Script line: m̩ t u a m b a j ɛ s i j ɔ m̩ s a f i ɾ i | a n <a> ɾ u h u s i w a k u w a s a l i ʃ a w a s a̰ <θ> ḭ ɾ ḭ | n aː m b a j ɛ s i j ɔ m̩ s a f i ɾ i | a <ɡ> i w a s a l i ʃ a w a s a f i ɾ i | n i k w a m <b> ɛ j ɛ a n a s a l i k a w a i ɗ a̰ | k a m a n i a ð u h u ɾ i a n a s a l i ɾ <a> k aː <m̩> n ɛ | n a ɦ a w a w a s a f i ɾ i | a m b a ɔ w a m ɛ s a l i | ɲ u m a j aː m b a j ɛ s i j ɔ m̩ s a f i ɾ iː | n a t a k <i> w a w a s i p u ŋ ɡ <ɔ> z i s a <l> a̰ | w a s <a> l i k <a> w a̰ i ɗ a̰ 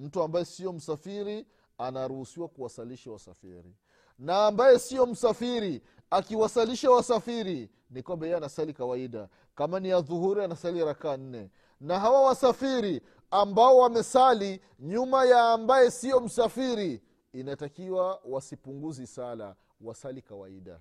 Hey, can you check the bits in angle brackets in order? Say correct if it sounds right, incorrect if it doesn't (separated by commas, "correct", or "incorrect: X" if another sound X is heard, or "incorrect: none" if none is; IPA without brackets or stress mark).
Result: correct, incorrect: f, incorrect: k, correct, correct, incorrect: n̩, correct, incorrect: u, correct, correct, correct